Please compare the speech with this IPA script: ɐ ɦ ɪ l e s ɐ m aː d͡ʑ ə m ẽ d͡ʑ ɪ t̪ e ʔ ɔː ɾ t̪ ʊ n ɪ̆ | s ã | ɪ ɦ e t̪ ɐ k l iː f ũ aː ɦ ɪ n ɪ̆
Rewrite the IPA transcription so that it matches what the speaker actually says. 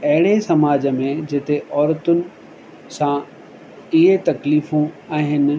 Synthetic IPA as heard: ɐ ɦ ɪ ɽ e s ɐ m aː d͡ʑ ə m ẽ d͡ʑ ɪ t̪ e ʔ ɔː ɾ t̪ ʊ n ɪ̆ | s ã | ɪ ɦ e t̪ ɐ k l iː f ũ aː ɦ ɪ n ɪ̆